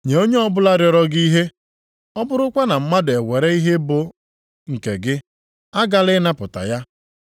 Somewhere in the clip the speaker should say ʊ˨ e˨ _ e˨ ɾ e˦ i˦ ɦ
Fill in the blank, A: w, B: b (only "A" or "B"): A